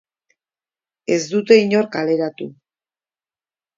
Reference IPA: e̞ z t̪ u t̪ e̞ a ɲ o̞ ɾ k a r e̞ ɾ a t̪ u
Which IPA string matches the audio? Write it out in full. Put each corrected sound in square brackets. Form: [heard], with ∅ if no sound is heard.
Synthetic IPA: e̞ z [d̪] u t̪ e̞ [i] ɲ o̞ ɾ k a [l] e̞ ɾ a t̪ u